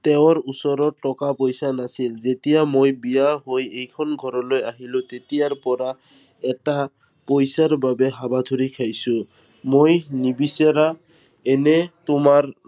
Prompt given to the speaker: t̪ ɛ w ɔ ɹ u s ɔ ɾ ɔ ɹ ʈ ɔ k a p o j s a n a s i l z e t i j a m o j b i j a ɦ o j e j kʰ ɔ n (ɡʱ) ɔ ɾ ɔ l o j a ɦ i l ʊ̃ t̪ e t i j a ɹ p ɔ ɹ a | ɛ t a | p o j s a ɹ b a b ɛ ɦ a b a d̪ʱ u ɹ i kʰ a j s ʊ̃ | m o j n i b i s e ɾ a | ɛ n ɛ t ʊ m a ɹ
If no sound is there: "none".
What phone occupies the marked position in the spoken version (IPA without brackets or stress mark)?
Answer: ɡʱ